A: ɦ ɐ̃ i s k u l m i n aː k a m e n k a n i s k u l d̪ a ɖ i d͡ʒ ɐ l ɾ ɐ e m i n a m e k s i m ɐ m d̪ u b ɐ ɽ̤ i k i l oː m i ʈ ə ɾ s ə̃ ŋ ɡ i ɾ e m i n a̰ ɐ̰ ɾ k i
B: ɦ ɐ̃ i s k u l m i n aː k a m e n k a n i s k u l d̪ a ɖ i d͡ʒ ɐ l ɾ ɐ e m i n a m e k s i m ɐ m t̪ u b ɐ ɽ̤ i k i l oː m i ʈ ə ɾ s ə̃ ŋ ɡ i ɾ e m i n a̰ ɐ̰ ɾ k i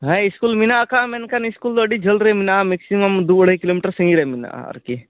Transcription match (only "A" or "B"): A